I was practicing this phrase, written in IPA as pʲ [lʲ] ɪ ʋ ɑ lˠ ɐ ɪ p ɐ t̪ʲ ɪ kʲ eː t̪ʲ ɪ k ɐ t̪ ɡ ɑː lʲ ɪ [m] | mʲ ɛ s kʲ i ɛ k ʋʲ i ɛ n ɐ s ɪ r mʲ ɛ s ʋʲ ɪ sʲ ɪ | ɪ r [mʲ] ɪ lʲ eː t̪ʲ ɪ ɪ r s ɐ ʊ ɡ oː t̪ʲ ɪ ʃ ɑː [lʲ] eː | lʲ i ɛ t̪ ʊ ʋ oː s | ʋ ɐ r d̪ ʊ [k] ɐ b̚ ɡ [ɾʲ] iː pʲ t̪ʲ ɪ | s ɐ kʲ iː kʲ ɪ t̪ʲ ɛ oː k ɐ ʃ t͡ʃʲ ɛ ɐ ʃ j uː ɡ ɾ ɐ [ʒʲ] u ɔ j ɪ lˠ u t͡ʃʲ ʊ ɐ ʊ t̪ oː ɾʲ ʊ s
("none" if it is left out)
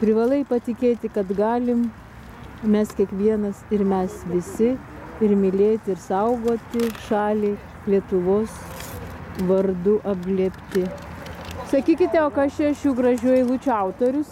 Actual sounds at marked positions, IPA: ɾʲ, m, mʲ, lʲ, ʔ, lʲ, ʒʲ

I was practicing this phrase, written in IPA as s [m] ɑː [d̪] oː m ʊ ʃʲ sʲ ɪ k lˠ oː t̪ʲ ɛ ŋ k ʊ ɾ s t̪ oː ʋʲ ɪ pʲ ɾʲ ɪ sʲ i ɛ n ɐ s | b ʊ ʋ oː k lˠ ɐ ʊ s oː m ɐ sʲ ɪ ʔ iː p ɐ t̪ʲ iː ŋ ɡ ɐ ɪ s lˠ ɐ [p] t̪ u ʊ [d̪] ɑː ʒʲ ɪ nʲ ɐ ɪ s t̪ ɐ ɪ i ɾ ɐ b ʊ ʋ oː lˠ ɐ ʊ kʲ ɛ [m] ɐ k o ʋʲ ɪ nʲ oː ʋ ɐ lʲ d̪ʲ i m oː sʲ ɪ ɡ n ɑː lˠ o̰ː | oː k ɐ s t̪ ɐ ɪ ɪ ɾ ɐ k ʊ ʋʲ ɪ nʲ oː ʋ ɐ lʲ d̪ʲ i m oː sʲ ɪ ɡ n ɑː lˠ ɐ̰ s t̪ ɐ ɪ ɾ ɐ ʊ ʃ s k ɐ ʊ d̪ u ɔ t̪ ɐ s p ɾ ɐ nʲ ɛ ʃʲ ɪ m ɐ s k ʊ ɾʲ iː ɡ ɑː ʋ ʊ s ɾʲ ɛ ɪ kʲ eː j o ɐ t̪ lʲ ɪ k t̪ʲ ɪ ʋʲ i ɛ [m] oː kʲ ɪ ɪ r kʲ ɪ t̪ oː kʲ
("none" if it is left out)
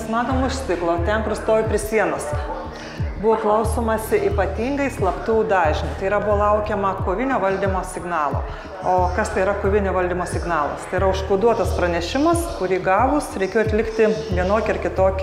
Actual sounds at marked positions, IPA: m, t̪, p, d̪, m, n

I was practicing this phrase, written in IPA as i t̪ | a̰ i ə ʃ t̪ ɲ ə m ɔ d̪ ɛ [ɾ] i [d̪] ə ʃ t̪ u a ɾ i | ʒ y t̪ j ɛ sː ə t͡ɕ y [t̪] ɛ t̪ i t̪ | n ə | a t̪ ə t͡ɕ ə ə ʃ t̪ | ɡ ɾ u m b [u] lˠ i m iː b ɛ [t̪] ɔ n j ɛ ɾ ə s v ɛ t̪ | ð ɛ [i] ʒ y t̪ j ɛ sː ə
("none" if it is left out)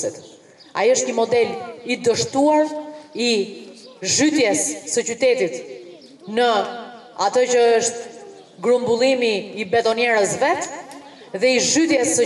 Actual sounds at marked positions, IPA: l, d̪, t̪, u, t̪, i

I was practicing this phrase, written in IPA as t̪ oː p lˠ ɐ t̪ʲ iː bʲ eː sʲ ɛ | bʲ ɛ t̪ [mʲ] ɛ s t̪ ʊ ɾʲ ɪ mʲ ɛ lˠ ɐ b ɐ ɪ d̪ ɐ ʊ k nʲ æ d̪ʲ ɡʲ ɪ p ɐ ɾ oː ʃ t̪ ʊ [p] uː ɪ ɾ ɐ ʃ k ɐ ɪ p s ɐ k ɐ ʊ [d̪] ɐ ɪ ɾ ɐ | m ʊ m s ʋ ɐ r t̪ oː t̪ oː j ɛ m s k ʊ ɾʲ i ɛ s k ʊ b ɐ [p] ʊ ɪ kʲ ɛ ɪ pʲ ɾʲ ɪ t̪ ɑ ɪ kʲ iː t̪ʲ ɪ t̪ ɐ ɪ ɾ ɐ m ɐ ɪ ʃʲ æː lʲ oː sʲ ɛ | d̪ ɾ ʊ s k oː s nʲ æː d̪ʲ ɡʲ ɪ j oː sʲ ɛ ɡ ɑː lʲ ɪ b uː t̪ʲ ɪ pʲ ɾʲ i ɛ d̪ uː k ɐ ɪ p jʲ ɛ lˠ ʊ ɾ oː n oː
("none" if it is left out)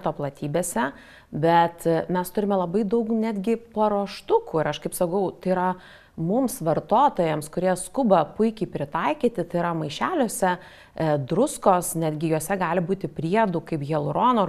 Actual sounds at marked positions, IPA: mʲ, k, t̪, p

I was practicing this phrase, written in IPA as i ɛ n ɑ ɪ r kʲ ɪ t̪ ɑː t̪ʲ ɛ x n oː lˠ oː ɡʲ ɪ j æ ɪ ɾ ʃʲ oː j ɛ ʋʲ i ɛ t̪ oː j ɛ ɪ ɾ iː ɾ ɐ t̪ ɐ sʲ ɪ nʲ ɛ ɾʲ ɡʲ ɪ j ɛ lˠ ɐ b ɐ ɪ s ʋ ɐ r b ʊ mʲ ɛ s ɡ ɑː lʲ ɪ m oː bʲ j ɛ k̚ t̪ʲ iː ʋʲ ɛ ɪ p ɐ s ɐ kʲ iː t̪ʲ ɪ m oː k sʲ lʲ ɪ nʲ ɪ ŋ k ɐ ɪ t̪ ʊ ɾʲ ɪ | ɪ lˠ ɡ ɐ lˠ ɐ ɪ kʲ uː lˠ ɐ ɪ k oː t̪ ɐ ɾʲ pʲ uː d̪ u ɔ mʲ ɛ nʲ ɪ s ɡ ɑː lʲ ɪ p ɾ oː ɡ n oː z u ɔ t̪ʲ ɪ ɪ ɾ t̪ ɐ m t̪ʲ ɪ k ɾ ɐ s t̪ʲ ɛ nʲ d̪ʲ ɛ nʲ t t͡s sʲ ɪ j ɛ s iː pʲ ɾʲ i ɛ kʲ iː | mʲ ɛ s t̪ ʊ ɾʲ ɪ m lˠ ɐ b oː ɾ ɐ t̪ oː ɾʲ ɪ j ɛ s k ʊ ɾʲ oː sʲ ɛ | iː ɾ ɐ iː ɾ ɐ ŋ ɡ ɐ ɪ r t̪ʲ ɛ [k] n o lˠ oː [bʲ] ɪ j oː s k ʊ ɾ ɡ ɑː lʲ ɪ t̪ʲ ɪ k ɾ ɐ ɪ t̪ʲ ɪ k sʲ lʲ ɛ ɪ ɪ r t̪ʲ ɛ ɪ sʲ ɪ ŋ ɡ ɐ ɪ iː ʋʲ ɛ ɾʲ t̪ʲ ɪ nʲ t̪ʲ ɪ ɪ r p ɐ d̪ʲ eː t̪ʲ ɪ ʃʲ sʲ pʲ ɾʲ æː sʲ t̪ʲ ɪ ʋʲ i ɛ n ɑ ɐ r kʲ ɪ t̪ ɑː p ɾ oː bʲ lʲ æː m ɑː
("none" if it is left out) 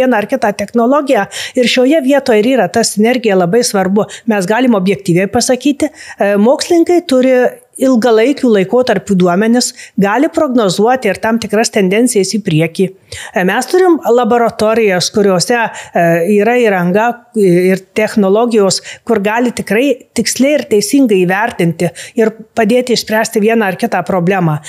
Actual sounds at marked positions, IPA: x, ɡʲ

